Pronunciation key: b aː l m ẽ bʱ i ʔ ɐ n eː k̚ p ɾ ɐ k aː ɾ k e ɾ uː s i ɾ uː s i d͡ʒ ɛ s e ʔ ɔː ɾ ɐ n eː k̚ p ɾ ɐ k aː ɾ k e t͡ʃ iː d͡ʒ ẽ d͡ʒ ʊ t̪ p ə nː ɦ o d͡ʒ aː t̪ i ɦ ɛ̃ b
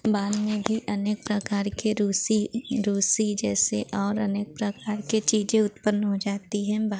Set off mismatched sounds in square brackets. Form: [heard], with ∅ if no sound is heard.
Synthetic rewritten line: b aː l m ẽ bʱ i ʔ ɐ n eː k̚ p ɾ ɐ k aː ɾ k e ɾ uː s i ɾ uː s i d͡ʒ [ɛː] s e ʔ ɔː ɾ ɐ n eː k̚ p ɾ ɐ k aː ɾ k e t͡ʃ iː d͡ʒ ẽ [∅] ʊ t̪ p ə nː ɦ o d͡ʒ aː t̪ i ɦ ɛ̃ b